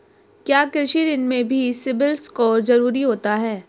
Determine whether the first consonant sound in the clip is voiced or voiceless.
voiceless